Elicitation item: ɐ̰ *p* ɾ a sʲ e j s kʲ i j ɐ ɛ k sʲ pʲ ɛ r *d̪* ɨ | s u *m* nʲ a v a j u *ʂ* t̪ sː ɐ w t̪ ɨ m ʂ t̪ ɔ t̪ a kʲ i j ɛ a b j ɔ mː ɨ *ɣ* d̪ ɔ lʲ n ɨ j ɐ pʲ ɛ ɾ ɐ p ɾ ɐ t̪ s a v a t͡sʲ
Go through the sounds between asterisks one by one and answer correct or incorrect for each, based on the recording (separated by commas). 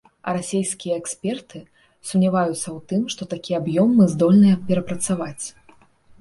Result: incorrect, incorrect, correct, incorrect, incorrect